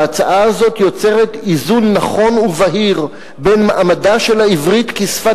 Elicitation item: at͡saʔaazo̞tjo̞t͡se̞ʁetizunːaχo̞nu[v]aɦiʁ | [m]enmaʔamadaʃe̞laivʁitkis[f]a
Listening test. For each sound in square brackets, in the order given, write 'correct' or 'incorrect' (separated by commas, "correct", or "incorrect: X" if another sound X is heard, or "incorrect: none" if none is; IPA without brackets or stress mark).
correct, incorrect: b, correct